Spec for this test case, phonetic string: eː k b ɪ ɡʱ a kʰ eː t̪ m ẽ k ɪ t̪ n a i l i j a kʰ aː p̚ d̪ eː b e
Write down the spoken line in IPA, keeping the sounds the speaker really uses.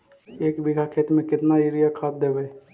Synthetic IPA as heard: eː k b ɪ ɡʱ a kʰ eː t̪ m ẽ k ɪ t̪ n a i ɾ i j a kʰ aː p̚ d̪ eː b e